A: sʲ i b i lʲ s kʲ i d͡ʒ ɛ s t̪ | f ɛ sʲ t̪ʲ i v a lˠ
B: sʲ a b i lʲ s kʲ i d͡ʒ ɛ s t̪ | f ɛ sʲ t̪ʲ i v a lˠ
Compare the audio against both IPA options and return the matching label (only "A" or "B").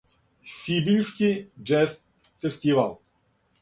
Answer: A